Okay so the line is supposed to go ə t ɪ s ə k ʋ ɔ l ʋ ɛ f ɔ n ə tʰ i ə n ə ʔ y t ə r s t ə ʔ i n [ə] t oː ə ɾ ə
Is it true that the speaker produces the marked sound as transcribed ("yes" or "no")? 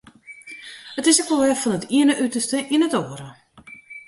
yes